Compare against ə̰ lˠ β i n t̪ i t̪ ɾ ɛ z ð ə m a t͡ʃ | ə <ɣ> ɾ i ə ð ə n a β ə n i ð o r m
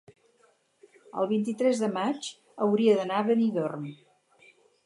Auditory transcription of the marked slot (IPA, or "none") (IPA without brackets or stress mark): w